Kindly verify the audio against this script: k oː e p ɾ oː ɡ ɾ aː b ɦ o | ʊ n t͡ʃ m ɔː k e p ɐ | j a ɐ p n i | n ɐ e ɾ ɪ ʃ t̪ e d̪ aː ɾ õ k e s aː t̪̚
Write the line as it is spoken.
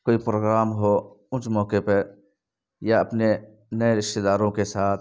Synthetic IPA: k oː i p ɾ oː ɡ ɾ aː m ɦ o | ʊ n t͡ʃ m ɔː k e p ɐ | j a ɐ p n e | n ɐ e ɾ ɪ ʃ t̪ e d̪ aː ɾ õ k e s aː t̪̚